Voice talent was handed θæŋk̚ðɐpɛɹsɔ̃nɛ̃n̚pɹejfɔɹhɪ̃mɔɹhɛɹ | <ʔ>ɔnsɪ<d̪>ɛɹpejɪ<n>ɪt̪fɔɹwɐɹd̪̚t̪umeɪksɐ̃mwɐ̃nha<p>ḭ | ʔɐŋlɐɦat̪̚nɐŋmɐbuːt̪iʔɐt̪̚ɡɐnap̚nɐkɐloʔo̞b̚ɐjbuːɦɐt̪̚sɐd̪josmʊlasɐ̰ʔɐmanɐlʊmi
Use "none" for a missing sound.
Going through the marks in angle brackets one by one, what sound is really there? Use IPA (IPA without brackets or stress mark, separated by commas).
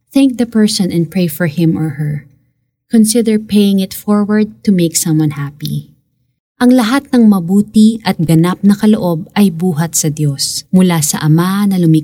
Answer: k, d̪, ŋ, p